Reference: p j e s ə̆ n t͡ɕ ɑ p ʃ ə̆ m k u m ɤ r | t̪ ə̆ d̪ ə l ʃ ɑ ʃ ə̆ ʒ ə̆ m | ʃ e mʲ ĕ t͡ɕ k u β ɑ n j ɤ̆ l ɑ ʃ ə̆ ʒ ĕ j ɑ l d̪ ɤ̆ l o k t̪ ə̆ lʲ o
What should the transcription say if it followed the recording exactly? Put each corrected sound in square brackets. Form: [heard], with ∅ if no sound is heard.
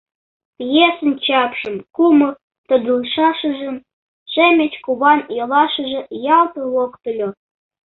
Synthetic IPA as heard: p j e s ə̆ n t͡ɕ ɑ p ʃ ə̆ m k u m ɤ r | t̪ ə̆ d̪ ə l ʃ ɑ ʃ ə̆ ʒ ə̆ m | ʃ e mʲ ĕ t͡ɕ k u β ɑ n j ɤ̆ l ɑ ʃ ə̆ ʒ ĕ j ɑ l [t̪] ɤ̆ l o k t̪ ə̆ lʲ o

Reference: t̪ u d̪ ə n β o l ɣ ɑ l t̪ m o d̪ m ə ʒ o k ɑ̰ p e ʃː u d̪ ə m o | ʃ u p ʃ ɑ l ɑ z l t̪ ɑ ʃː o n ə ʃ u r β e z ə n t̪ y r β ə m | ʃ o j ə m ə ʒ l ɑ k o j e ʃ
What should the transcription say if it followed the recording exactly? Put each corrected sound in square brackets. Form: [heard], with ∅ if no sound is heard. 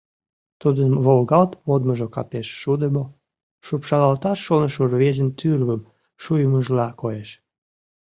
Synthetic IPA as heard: t̪ u d̪ ə n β o l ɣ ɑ l t̪ m o d̪ m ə ʒ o k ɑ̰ p e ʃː u d̪ ə m o | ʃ u p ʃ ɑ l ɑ [∅] l t̪ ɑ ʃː o n ə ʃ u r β e z ə n t̪ y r β ə m | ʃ [u] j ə m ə ʒ l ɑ k o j e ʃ

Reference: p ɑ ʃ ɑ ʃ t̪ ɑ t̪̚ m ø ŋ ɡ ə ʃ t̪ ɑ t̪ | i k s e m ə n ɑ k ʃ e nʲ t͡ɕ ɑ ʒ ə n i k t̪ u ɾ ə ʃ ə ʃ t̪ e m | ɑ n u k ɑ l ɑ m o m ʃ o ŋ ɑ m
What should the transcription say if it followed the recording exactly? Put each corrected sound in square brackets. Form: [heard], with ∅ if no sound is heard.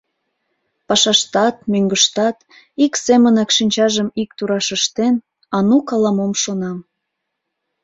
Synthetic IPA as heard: p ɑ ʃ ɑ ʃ t̪ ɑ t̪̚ m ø ŋ ɡ ə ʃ t̪ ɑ t̪ | i k s e m ə n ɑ k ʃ [i] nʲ t͡ɕ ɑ ʒ ə [m] i k t̪ u ɾ [ɑ] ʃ ə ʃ t̪ e [n] | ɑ n u k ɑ l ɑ m o m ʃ o [n] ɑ m

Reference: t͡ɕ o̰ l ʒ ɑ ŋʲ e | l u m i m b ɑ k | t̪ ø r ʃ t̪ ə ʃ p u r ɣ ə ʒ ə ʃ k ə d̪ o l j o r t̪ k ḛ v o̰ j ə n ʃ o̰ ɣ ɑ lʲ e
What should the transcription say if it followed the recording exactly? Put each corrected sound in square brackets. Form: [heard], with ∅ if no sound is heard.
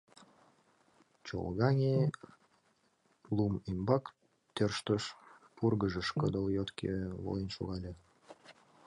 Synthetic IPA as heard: t͡ɕ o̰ l [ɣ] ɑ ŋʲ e | l u m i m b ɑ k | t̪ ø r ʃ t̪ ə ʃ p u r ɣ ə ʒ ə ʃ k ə d̪ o l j o [∅] t̪ k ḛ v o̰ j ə n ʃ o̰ ɣ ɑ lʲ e

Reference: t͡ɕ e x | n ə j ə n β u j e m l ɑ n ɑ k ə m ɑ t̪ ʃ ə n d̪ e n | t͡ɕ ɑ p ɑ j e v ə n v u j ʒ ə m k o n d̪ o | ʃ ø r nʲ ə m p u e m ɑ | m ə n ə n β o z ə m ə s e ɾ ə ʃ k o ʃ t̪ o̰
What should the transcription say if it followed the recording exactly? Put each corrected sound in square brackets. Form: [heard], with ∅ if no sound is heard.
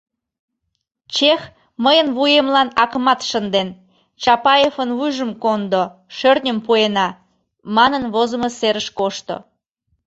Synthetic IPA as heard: t͡ɕ e x | [m] ə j ə n β u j e m l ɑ n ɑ k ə m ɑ t̪ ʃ ə n d̪ e n | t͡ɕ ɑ p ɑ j e [f] ə n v u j ʒ ə m k o n d̪ o | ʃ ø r nʲ ə m p u e [n] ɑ | m [ɑ] n ə n β o z ə m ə s e ɾ ə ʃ k o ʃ t̪ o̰

